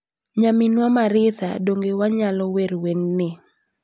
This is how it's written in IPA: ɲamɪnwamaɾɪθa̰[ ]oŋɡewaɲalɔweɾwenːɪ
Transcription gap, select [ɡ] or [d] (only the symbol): d